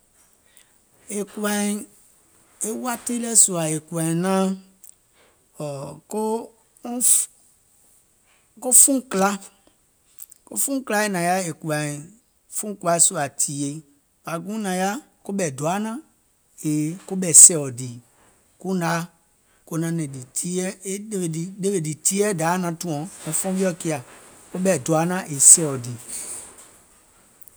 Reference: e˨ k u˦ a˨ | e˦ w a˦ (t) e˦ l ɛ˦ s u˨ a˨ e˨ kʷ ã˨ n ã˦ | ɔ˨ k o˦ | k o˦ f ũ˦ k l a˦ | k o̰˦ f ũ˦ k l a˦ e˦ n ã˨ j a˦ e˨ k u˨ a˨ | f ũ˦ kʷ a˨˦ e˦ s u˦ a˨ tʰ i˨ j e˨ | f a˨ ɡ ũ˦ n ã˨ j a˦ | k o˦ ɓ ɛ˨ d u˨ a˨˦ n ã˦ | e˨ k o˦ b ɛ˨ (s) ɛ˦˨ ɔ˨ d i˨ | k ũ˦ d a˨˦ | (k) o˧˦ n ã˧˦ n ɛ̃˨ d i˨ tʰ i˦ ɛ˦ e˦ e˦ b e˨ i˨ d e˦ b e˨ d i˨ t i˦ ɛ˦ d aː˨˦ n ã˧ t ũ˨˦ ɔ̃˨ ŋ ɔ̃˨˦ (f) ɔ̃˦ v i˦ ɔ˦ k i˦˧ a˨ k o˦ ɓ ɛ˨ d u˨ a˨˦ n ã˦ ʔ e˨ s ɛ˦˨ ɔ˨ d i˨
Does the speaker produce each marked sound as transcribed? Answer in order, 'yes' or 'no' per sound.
yes, yes, yes, yes

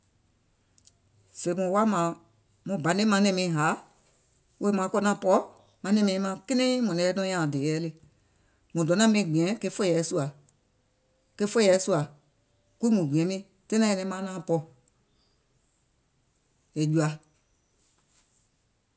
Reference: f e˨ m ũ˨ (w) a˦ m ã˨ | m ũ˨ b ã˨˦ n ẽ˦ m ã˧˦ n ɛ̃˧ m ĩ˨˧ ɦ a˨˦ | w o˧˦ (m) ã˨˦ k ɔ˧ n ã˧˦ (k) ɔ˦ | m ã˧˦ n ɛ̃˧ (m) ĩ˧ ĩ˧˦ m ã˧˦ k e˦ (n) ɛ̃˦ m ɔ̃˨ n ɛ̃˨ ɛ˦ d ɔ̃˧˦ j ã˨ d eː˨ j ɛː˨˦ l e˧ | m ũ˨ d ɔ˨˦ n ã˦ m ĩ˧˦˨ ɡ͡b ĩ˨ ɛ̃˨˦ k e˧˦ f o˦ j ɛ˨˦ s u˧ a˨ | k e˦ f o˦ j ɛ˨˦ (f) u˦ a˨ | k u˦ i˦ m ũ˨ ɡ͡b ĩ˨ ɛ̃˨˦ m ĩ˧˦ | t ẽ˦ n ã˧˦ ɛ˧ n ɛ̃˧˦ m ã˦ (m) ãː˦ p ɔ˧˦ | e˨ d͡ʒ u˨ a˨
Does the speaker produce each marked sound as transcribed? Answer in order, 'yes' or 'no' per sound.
yes, yes, no, yes, yes, no, no

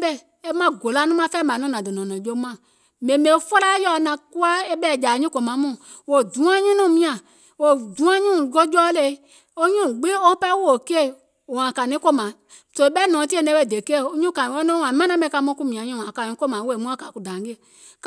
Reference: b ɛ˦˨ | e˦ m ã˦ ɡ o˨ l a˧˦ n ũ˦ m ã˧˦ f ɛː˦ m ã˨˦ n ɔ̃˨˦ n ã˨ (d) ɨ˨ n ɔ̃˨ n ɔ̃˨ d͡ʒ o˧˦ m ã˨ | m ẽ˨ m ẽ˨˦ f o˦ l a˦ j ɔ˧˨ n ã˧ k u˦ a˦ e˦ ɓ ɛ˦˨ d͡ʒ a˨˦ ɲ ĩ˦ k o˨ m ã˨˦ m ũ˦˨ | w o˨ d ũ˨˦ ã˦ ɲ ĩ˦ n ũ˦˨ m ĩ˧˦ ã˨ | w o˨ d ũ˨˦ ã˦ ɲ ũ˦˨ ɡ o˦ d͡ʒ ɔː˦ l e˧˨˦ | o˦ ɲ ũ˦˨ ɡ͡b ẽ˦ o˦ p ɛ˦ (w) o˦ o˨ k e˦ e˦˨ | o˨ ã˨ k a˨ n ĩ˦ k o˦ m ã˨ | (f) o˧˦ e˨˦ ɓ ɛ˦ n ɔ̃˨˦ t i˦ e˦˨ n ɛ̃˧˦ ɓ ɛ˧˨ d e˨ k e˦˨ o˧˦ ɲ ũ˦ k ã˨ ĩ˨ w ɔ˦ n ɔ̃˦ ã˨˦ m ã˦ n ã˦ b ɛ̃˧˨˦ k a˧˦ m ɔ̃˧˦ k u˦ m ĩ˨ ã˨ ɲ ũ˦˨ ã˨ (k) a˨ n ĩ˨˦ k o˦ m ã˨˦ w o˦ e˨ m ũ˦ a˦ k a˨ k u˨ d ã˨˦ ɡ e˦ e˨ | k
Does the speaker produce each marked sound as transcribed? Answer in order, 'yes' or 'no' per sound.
yes, yes, no, yes

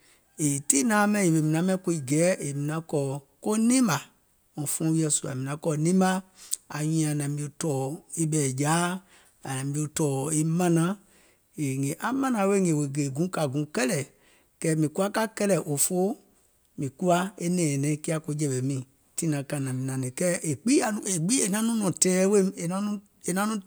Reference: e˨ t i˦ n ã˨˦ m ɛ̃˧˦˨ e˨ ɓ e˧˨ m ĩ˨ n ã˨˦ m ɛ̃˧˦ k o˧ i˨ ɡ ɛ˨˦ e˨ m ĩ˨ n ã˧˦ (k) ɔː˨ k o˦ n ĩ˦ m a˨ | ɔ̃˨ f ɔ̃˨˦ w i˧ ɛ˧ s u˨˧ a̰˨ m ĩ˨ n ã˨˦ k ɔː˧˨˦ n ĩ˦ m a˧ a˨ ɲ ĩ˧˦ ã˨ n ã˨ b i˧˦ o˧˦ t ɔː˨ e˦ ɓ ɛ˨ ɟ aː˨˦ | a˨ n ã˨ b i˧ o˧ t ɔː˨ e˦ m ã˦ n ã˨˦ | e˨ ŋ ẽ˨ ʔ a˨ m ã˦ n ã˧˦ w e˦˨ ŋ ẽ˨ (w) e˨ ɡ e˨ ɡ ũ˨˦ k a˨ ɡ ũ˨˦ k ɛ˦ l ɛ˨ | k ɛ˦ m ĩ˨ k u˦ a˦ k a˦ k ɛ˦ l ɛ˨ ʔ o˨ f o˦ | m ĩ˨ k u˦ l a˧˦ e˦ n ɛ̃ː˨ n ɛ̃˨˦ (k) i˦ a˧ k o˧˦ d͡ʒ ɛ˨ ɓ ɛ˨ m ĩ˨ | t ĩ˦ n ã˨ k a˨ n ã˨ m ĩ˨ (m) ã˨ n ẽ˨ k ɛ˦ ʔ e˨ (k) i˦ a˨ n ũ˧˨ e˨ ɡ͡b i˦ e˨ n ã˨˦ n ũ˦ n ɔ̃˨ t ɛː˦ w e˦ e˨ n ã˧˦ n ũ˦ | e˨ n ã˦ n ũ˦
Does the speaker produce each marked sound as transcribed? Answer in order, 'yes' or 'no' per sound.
yes, yes, yes, no, no

